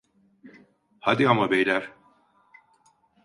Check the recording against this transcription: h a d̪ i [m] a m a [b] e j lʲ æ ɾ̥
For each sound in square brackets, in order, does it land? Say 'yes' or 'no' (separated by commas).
no, yes